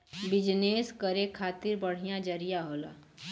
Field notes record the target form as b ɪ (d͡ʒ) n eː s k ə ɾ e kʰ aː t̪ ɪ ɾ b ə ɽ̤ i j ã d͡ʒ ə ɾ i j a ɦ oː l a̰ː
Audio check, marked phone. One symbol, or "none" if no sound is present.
d͡ʒ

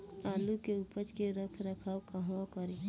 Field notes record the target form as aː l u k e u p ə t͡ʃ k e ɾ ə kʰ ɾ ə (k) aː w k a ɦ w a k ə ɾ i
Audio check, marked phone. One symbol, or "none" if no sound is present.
kʰ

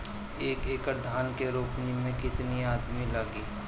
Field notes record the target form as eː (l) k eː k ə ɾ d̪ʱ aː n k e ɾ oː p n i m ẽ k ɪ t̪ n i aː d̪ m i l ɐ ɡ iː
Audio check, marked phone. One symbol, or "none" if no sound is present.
none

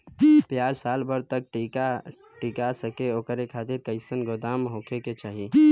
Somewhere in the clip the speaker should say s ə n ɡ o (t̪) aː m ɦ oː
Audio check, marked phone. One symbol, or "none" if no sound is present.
d̪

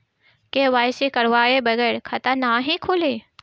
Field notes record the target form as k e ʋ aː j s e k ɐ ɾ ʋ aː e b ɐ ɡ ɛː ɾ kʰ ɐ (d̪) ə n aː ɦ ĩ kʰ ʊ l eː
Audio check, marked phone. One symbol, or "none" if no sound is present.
t̪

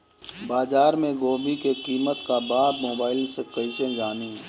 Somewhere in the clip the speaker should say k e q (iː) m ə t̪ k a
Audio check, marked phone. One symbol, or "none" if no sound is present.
iː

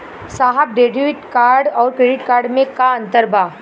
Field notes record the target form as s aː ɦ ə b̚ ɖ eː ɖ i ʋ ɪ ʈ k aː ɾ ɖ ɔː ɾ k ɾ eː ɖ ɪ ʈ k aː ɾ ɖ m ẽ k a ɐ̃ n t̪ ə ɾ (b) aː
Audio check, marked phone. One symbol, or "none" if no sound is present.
b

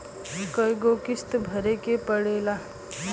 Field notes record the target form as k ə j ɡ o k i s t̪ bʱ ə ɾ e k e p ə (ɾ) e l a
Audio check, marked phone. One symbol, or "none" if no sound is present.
ɽ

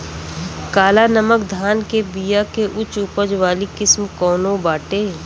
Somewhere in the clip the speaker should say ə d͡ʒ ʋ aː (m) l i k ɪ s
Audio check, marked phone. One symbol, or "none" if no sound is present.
none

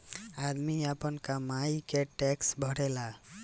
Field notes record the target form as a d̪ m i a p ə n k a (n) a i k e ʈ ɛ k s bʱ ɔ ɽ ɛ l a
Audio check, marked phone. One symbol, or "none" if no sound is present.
m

